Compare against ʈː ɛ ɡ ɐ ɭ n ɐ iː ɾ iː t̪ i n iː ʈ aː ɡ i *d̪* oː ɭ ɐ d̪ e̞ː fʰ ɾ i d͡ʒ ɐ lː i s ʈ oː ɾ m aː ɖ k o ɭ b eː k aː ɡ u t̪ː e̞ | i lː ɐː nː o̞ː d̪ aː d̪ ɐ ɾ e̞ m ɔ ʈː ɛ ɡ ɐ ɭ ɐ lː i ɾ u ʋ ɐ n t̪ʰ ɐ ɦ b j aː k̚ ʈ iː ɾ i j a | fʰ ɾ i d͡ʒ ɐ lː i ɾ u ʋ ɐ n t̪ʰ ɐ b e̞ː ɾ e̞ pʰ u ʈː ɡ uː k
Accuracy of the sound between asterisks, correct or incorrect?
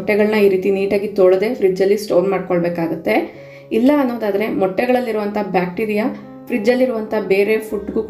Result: incorrect